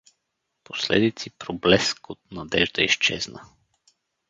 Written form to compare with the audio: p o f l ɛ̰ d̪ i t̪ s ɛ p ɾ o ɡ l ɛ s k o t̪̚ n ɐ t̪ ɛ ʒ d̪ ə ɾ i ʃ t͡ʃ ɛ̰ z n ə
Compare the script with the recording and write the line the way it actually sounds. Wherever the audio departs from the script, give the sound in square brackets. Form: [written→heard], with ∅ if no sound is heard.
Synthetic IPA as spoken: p o [f→s] l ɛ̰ d̪ i t̪ s [ɛ→i] p ɾ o [ɡ→b] l ɛ s k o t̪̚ n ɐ [t̪→d̪] ɛ ʒ d̪ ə [ɾ→∅] i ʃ t͡ʃ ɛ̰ z n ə

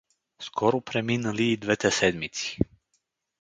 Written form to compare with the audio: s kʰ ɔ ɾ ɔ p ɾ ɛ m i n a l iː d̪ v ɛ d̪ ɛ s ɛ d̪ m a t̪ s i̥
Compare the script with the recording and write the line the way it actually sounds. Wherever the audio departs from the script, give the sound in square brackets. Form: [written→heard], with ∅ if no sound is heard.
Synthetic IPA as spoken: s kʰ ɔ ɾ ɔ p ɾ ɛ m i n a l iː d̪ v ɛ [d̪→t̪] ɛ s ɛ d̪ m [a→i] t̪ s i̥

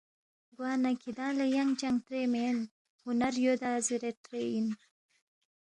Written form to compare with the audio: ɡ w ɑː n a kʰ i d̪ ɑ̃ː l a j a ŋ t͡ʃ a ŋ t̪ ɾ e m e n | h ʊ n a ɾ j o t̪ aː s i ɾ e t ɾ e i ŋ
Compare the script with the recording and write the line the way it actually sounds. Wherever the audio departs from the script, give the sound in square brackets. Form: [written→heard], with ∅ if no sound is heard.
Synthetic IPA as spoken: ɡ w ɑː n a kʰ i d̪ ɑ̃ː l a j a ŋ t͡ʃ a ŋ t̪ ɾ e m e n | h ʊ n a ɾ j o [t̪→d̪] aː [s→z] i ɾ e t ɾ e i [ŋ→n]

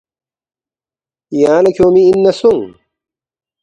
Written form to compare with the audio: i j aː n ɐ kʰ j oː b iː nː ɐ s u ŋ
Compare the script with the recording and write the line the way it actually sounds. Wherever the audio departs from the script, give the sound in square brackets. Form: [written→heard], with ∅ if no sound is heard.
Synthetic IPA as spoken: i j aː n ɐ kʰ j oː [b→m] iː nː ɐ s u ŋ

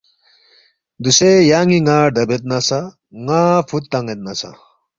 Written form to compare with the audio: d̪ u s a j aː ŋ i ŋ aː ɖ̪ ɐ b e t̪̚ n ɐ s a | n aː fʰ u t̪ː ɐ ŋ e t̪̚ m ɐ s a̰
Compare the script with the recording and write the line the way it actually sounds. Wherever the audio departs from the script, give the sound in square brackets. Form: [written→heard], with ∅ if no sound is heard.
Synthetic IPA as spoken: d̪ u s [a→e] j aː ŋ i ŋ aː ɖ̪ ɐ b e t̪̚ n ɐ s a | [n→ŋ] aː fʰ u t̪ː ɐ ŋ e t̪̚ [m→n] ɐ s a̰

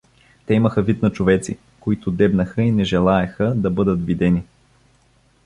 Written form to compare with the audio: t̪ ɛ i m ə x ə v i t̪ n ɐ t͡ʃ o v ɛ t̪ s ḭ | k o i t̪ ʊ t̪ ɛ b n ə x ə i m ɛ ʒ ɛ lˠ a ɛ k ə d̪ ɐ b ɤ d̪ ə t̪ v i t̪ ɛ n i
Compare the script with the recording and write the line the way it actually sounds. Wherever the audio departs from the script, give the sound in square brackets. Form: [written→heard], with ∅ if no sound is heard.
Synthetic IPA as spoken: t̪ ɛ i m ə x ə v i t̪ n ɐ t͡ʃ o v ɛ t̪ s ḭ | k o i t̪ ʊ [t̪→d̪] ɛ b n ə x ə i [m→n] ɛ ʒ ɛ lˠ a ɛ [k→x] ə d̪ ɐ b ɤ d̪ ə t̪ v i [t̪→d̪] ɛ n i

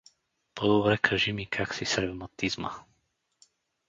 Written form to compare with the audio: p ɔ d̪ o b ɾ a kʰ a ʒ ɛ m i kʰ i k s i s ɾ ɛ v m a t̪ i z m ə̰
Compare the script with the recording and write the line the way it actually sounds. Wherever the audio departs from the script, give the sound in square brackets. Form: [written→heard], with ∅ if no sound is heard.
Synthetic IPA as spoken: p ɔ d̪ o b ɾ [a→ɛ] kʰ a ʒ [ɛ→i] m i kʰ [i→a] k s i s ɾ ɛ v m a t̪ i z m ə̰

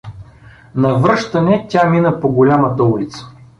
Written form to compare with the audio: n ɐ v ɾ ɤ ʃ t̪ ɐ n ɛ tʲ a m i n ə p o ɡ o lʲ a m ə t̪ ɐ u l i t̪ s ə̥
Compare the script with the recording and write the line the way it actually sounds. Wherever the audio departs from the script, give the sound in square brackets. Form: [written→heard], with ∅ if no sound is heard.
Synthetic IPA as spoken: n ɐ v ɾ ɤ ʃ t̪ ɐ n ɛ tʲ a m i n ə p o ɡ o lʲ a m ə t̪ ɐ u l i t̪ s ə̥

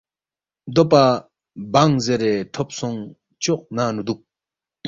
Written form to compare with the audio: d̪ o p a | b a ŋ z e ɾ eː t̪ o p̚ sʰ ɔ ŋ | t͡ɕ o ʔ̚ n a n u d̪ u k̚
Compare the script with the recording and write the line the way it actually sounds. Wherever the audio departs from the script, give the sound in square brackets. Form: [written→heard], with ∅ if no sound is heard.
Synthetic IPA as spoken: d̪ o p a | b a ŋ z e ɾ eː [t̪→t̪ʰ] o p̚ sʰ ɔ ŋ | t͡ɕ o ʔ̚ n a n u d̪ u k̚

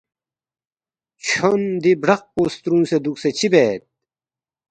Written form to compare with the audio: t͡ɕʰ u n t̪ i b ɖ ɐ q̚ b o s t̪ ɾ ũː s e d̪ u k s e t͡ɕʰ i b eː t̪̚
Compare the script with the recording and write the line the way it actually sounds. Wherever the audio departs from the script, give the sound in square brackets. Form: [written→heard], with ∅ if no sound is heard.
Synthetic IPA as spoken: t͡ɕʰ [u→o] n [t̪→d̪] i b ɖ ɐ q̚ [b→p] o s t̪ ɾ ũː s e d̪ u k s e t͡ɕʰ i b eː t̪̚

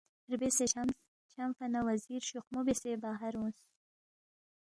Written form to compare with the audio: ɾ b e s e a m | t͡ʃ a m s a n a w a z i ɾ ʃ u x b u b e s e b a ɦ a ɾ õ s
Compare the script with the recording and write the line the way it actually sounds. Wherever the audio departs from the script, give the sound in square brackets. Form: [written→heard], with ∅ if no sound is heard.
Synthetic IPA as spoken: ɾ b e s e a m | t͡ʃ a m [s→f] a n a w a z i ɾ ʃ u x [b→m] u b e s e b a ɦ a ɾ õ s

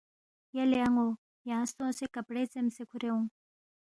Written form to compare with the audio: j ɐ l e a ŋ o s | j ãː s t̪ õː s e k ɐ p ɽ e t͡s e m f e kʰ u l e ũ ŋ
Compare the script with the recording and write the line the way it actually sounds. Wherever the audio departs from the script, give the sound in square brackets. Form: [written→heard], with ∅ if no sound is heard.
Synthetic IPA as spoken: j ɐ l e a ŋ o [s→∅] | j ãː s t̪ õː s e k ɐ p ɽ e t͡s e m [f→s] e kʰ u [l→ɾ] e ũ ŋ

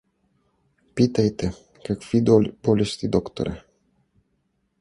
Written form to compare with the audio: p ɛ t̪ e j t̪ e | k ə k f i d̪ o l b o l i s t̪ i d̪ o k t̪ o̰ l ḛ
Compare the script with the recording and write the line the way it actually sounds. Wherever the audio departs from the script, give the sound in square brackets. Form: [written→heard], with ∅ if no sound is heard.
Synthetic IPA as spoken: p [ɛ→i] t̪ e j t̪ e | k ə k f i d̪ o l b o l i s t̪ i d̪ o k t̪ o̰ [l→ɾ] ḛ

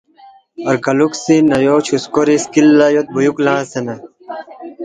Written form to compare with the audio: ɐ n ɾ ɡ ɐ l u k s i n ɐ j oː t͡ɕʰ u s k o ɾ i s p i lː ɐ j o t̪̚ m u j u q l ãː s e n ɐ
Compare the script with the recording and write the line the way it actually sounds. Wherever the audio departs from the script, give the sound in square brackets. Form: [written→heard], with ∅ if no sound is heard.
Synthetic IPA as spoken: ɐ [n→∅] ɾ ɡ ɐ l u k s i n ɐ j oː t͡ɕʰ u s k o ɾ i s [p→k] i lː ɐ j o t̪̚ [m→b] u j u [q→k] l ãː s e n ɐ

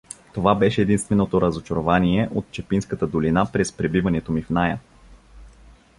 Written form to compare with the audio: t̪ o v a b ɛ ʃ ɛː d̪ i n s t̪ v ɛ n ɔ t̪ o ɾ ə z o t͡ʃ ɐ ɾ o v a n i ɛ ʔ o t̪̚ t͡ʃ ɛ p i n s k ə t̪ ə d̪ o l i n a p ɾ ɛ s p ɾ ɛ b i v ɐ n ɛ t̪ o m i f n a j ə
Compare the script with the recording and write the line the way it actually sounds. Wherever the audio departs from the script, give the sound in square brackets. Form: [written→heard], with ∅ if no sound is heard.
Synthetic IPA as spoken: t̪ o v a b ɛ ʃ ɛː d̪ i n s t̪ v ɛ n [ɔ→o] t̪ o ɾ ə z o t͡ʃ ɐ ɾ o v a n i ɛ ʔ o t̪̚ t͡ʃ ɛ p i n s k ə t̪ ə d̪ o l i n a p ɾ ɛ s p ɾ ɛ b i v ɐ n ɛ t̪ o m i f n a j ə

